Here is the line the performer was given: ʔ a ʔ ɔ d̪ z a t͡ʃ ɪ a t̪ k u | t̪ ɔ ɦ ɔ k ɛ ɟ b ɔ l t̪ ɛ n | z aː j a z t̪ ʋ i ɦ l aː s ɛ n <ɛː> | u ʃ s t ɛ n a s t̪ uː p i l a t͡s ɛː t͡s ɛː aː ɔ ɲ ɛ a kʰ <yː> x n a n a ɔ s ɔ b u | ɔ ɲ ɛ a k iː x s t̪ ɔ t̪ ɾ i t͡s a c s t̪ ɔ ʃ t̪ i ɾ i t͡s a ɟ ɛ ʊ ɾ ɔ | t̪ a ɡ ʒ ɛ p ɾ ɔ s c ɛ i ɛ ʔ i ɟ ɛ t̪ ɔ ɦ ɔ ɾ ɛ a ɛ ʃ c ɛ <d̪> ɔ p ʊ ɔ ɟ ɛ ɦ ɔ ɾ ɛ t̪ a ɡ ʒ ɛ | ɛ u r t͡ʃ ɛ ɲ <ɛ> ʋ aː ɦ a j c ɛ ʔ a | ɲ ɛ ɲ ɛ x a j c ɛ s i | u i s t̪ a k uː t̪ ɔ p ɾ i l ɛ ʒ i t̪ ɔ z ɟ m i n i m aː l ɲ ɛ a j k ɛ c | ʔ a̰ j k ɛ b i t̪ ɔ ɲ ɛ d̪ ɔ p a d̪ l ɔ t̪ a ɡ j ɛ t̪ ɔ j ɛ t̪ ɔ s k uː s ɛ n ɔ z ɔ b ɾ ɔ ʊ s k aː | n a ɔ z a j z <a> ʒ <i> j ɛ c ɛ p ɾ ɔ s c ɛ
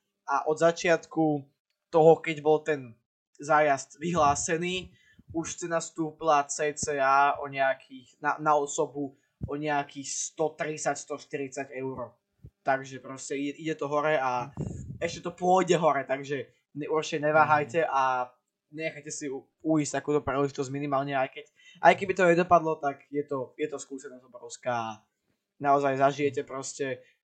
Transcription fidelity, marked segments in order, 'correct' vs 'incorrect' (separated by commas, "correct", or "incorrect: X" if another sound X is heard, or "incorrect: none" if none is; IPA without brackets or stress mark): incorrect: iː, incorrect: iː, incorrect: t̪, correct, correct, correct